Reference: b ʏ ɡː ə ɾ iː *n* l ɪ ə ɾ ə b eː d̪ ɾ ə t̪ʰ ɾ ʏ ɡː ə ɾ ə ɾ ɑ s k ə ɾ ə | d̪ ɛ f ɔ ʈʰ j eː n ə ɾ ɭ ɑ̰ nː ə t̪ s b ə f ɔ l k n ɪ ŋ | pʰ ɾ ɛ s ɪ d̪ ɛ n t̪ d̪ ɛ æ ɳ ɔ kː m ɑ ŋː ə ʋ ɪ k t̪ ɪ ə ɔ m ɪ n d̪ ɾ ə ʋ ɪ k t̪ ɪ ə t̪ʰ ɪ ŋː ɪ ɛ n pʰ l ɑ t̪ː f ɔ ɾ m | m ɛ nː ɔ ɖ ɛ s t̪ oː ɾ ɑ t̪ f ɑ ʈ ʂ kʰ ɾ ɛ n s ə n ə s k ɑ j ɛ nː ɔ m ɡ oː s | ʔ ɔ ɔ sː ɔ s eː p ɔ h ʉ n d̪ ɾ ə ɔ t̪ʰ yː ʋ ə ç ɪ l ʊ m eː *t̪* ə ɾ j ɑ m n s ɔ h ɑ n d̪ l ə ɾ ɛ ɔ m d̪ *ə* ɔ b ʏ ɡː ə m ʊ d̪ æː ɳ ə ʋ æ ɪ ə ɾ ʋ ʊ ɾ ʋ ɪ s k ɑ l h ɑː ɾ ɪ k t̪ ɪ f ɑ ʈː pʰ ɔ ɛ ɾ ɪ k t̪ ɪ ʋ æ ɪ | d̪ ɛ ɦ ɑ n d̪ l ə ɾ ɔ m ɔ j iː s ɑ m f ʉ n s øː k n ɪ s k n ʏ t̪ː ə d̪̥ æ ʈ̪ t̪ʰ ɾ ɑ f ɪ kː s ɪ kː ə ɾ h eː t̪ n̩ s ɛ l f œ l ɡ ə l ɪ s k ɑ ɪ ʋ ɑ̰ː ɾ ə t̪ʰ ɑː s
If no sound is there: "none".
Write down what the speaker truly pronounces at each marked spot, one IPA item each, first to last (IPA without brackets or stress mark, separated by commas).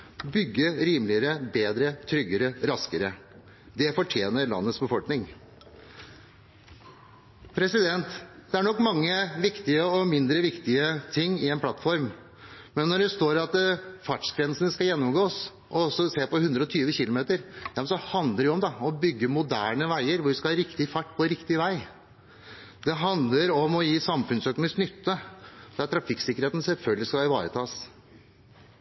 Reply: m, t̪, ɑ